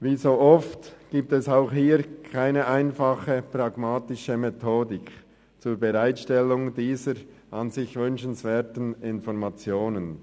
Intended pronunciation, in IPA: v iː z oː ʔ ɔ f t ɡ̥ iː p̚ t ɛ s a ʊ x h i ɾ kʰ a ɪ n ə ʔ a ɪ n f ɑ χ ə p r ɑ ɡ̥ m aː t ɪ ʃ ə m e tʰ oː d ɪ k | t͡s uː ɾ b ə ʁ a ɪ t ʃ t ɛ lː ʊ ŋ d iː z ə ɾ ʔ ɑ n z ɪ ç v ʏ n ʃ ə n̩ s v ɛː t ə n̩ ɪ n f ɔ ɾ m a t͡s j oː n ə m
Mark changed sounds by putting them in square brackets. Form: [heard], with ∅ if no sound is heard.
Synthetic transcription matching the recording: v iː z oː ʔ ɔ f t ɡ̥ iː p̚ t ɛ s a ʊ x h [iː] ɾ kʰ a ɪ n ə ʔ a ɪ n f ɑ χ ə p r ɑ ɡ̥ m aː t ɪ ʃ ə m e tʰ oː d ɪ k | t͡s uː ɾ b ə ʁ a ɪ t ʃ t ɛ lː ʊ ŋ d iː z ə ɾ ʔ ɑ n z ɪ ç v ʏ n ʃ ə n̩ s v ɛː t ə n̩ ɪ n f ɔ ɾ m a t͡s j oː n ə [n]